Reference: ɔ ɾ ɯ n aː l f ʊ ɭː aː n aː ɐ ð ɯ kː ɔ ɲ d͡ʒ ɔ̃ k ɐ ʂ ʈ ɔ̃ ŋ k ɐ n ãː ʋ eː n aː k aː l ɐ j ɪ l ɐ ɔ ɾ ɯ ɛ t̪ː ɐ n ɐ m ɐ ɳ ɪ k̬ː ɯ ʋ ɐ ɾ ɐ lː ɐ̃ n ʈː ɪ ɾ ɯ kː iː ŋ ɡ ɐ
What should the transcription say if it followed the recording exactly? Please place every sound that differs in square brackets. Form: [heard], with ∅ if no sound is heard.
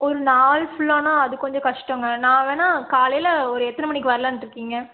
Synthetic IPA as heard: ɔ ɾ ɯ n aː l f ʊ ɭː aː n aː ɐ ð ɯ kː ɔ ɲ d͡ʒ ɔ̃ k ɐ ʂ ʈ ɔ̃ ŋ [ɡ] ɐ n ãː ʋ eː n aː k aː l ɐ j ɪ l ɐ ɔ ɾ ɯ ɛ t̪ː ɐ n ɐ m ɐ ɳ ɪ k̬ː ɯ ʋ ɐ ɾ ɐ [l] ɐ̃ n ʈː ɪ ɾ ɯ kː iː ŋ ɡ ɐ